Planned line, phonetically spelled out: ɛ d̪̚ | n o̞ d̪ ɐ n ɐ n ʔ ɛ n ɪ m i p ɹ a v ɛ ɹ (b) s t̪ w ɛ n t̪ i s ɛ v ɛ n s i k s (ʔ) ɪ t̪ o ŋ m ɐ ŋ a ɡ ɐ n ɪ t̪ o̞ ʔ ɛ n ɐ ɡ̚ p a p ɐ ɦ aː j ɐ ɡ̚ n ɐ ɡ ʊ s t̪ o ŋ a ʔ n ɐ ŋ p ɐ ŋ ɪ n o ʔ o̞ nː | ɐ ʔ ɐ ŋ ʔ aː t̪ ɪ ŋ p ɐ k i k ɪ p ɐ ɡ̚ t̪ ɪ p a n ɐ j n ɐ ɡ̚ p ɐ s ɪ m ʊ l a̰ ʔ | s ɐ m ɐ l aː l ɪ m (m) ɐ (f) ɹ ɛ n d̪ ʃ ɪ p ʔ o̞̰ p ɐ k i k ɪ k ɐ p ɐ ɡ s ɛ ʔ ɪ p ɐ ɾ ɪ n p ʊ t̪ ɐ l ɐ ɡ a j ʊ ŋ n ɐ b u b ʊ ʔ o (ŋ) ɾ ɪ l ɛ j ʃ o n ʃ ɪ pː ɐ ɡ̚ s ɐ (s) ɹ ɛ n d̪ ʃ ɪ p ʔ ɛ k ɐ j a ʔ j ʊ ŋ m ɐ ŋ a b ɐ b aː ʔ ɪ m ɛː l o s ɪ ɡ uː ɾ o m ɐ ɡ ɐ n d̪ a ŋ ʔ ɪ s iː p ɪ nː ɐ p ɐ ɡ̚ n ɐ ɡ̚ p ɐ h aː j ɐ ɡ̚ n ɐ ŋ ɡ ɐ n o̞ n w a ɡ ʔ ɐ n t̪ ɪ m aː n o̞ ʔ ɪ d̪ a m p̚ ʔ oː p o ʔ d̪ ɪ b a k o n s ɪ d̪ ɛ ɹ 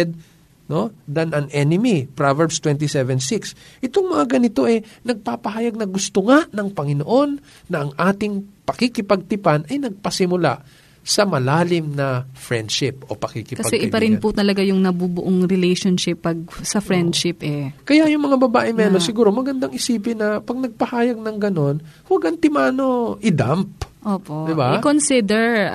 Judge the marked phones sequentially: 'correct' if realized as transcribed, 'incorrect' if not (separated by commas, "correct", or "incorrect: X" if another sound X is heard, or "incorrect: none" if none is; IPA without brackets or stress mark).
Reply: correct, correct, incorrect: n, correct, correct, incorrect: f